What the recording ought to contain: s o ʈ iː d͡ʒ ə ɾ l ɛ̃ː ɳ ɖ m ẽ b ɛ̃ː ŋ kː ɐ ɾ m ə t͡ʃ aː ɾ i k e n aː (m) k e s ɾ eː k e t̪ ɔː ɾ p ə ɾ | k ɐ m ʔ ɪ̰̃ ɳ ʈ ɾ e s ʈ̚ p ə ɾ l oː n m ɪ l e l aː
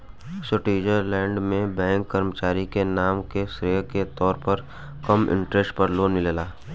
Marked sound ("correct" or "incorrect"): correct